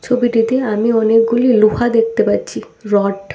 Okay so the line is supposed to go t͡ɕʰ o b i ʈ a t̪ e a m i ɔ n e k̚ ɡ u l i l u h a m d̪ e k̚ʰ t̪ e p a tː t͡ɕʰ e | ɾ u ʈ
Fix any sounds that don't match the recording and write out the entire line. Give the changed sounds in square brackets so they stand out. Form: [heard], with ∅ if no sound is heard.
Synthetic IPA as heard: t͡ɕʰ o b i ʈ [i] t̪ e a m i ɔ n e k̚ ɡ u l i l u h a [∅] d̪ e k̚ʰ t̪ e p a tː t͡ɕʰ [i] | ɾ [ɔ] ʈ